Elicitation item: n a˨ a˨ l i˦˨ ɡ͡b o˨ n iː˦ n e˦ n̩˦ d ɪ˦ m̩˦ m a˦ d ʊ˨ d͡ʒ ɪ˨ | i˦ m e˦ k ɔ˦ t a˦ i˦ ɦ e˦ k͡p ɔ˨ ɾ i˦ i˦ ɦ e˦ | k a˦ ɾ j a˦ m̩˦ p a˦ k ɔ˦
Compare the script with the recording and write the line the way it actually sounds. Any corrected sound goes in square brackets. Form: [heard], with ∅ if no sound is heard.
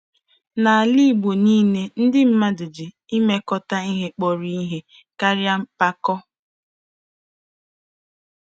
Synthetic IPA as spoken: n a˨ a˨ l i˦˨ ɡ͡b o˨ n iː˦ n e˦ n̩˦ d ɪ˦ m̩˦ m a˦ d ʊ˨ d͡ʒ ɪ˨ | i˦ m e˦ k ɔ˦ t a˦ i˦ ɦ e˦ k͡p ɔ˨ ɾ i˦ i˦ ɦ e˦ | k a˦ ɾ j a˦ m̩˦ p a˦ k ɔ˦